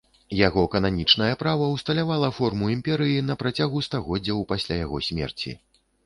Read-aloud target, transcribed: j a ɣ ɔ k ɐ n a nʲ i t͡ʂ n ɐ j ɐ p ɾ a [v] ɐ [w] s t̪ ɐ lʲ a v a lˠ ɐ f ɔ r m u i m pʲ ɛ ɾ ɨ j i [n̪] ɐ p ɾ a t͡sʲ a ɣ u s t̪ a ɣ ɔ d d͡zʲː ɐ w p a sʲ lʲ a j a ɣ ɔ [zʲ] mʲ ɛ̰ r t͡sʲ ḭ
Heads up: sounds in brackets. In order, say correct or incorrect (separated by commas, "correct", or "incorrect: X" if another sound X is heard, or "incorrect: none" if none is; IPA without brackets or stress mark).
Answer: correct, correct, correct, incorrect: sʲ